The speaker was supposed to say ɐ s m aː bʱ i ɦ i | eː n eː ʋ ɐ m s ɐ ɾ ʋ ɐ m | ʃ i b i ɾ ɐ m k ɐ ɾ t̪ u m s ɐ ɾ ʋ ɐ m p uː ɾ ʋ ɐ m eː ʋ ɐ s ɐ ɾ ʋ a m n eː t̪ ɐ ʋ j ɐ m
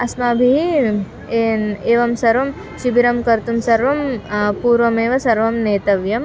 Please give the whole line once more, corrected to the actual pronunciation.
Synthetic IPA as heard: ɐ s m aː bʱ i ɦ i | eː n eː ʋ ɐ m s ɐ ɾ ʋ ɐ m | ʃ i b i ɾ ɐ m k ɐ ɾ t̪ u m s ɐ ɾ ʋ ɐ m p uː ɾ ʋ ɐ m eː ʋ ɐ s ɐ ɾ ʋ ɐ m n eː t̪ ɐ ʋ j ɐ m